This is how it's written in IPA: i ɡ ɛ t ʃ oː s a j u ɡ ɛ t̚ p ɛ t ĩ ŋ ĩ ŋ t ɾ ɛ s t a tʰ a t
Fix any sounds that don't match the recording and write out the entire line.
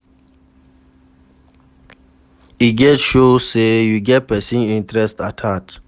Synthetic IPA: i ɡ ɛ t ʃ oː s e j u ɡ ɛ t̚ p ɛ s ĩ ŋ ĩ n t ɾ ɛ s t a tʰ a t